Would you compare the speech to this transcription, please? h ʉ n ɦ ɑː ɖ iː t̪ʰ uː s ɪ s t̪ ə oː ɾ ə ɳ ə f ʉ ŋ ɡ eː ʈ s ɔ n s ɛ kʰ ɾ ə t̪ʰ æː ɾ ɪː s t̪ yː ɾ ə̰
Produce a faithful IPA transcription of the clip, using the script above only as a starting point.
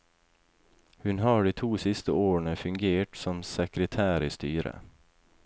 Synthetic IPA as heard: h ʉ n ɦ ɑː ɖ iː t̪ʰ uː s ɪ s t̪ ə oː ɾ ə ɳ ə f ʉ ŋ ɡ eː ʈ s ɔ m s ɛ k ɾ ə t̪ʰ æː ɾ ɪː s t̪ yː ɾ ə̰